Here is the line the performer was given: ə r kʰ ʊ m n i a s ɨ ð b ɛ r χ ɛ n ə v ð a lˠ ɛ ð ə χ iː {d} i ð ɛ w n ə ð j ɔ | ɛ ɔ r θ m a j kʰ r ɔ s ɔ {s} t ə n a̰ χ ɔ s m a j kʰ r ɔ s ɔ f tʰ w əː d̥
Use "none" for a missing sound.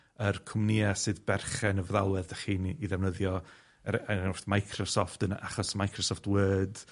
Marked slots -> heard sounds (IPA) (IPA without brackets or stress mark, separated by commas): n, f